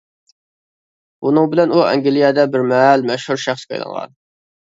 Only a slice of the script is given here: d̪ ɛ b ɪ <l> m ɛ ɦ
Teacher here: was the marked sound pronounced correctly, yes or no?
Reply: no